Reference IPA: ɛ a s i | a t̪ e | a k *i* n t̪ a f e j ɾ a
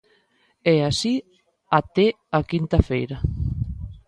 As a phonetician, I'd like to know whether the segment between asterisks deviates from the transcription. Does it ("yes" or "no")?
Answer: no